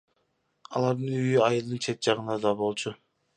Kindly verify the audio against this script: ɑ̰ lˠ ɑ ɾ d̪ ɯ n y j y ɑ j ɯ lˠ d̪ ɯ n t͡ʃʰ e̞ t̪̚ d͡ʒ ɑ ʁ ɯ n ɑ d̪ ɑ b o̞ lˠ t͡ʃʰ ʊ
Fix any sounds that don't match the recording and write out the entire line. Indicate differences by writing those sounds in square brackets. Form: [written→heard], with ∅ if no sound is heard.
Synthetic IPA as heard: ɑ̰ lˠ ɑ ɾ d̪ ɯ n y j y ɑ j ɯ lˠ d̪ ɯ n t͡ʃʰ e̞ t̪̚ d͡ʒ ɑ ʁ ɯ n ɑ d̪ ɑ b o̞ lˠ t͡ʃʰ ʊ